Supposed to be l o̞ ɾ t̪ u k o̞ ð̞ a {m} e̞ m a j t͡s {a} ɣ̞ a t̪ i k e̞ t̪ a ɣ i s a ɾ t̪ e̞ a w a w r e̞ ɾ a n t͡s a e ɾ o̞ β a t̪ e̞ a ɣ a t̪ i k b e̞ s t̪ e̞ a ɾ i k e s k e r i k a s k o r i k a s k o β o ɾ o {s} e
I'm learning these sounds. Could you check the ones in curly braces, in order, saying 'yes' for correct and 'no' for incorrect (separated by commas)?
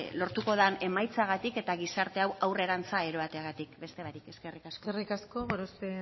no, yes, yes